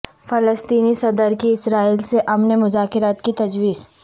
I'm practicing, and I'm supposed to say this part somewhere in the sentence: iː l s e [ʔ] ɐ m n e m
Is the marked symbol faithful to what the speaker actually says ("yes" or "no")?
yes